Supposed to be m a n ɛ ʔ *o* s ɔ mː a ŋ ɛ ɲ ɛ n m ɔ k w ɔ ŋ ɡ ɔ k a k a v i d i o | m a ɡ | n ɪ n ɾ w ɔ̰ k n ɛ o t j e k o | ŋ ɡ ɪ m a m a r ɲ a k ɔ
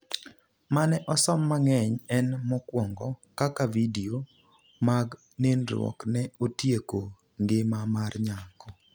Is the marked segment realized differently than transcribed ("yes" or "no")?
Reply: yes